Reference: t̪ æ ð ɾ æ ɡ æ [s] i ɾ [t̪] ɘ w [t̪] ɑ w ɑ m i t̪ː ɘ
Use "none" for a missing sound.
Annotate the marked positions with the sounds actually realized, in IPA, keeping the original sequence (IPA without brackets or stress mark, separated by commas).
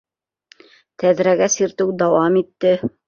s, t̪, d̪